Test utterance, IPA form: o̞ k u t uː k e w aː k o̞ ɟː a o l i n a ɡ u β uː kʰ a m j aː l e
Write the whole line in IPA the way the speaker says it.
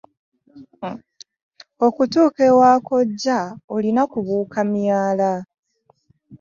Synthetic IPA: o̞ k u t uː k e w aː k o̞ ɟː a o l i n a k u β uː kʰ a m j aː l a